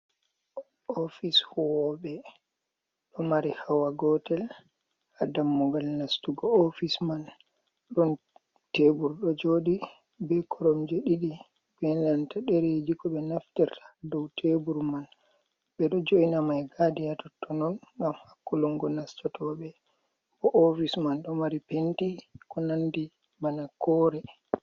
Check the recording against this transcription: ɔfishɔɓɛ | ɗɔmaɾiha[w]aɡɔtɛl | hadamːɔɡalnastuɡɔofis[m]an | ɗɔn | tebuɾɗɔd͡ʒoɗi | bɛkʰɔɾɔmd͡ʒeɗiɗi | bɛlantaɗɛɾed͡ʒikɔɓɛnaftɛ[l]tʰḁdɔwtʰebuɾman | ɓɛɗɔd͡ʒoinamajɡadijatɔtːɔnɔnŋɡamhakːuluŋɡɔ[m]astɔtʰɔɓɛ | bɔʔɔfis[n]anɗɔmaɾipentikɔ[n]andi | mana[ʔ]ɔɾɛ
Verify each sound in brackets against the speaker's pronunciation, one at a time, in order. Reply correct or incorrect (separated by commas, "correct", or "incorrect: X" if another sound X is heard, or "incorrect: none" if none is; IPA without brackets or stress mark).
correct, correct, incorrect: ɾ, incorrect: n, incorrect: m, correct, incorrect: k